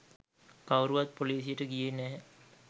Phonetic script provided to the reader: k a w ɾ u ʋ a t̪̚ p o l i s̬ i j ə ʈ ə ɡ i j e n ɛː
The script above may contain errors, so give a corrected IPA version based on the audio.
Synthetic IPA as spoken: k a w ɾ u ʋ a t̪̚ p o l iː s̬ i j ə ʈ ə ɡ i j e n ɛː